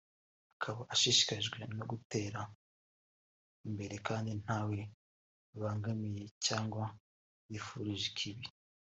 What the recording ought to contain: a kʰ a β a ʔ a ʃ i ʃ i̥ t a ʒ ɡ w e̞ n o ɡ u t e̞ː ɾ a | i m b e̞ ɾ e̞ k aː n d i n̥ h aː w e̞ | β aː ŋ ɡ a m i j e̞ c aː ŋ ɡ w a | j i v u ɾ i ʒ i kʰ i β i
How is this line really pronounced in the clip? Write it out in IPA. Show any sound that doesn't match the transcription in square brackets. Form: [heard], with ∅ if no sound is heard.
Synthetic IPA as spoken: a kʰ a β a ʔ a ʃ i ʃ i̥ [k] a ʒ ɡ w e̞ n o ɡ u t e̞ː ɾ a | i m b e̞ ɾ e̞ k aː n d i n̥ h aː w e̞ | β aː ŋ ɡ a m i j e̞ c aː ŋ ɡ w a | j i [f] u ɾ i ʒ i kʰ i β i